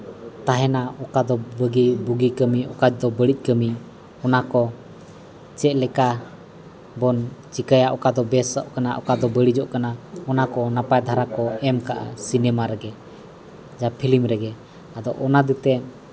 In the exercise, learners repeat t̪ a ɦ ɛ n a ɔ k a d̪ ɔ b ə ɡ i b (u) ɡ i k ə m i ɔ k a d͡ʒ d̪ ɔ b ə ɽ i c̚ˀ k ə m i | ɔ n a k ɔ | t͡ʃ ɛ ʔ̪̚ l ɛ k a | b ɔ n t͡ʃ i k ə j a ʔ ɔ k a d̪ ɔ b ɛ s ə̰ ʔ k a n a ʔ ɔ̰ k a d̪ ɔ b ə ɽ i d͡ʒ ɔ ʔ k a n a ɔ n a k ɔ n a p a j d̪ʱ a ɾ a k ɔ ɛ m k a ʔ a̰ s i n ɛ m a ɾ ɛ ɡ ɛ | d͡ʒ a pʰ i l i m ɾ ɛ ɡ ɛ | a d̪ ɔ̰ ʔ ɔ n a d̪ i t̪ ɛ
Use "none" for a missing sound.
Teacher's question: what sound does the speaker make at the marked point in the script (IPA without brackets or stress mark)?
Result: u